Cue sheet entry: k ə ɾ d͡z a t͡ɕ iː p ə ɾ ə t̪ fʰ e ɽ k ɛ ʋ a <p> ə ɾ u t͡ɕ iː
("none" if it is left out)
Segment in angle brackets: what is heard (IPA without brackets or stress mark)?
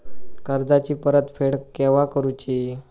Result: k